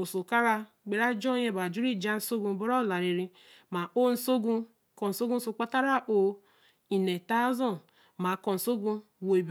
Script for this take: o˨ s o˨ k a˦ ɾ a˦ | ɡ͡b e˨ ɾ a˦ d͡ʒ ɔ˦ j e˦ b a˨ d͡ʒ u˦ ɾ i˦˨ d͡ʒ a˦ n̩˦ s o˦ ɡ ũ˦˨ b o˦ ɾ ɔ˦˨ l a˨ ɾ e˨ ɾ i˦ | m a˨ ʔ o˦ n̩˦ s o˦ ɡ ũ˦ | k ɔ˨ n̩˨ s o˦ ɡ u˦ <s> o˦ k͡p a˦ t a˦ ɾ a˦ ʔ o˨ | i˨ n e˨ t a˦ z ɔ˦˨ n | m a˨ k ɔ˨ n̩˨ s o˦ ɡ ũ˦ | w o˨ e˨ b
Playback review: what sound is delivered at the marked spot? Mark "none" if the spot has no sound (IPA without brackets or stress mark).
s